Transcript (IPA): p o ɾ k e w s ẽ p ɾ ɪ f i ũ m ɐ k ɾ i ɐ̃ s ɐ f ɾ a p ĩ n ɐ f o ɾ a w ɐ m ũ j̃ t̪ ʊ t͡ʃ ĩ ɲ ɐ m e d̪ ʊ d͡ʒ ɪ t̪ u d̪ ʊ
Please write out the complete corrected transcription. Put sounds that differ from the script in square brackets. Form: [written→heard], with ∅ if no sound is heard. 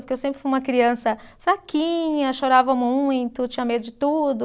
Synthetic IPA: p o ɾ k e w s ẽ p ɾ ɪ f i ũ m ɐ k ɾ i ɐ̃ s ɐ f ɾ a [p→k] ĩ [n→ɲ] ɐ [f→ʃ] o ɾ a [w→v] ɐ m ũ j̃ t̪ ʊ t͡ʃ ĩ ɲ ɐ m e d̪ ʊ d͡ʒ ɪ t̪ u d̪ ʊ